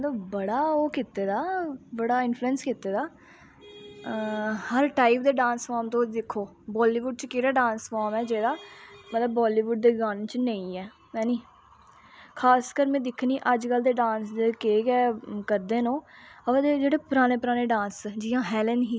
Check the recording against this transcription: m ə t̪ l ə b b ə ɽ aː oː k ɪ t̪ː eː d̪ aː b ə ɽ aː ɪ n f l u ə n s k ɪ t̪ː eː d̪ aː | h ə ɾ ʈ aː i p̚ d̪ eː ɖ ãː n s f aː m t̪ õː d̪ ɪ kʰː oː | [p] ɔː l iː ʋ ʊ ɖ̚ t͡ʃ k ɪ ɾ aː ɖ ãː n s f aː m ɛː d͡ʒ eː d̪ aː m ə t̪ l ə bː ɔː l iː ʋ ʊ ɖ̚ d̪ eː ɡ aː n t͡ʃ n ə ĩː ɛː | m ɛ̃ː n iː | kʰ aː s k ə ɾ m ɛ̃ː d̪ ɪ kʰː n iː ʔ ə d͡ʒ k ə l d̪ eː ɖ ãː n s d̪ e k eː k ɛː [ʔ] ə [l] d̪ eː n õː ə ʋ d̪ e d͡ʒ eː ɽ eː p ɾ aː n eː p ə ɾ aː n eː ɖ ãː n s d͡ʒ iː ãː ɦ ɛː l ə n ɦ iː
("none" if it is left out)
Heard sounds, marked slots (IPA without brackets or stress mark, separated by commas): b, k, ɾ